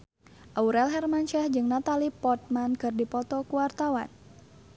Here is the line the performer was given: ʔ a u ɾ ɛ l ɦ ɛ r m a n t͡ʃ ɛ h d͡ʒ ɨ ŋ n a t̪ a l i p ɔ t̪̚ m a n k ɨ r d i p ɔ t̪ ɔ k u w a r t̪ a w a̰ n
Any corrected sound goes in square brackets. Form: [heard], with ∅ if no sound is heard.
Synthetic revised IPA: ʔ a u ɾ ɛ l ɦ ɛ r m a n t͡ʃ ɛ h d͡ʒ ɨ ŋ n a t̪ a l i p ɔ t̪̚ m a n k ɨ r d i p ɔ t̪ ɔ k u w a r t̪ a w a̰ n